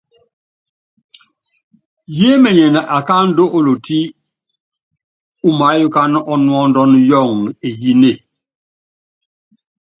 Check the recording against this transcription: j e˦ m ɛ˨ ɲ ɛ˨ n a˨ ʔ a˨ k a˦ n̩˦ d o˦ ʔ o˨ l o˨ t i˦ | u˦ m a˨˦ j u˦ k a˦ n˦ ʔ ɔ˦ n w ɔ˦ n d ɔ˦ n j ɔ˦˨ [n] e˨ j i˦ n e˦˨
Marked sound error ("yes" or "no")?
yes